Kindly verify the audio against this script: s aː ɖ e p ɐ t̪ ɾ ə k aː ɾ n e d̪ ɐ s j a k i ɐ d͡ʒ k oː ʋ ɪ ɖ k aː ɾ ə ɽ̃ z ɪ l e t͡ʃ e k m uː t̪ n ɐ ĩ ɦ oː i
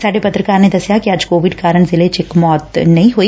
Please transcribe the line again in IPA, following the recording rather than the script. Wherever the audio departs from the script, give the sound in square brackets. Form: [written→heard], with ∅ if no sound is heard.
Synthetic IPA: s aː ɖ e p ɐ t̪ ɾ ə k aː ɾ n e d̪ ɐ s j a k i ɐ d͡ʒ k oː ʋ ɪ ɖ k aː ɾ ə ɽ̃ z ɪ l e t͡ʃ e k m [uː→ɔː] t̪ n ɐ ĩ ɦ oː i